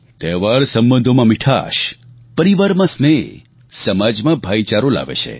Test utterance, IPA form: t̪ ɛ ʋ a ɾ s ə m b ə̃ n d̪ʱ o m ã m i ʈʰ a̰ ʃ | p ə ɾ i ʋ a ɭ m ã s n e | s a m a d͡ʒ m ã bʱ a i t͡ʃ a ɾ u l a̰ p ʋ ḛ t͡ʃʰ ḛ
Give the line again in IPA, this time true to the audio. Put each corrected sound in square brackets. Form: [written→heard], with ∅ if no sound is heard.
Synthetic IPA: t̪ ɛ ʋ a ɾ s ə m b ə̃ n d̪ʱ o m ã m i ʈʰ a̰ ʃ | p ə ɾ i ʋ a [ɭ→ɾ] m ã s n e | s [a→ə] m a d͡ʒ m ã bʱ a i t͡ʃ a ɾ [u→o] l a̰ [p→∅] ʋ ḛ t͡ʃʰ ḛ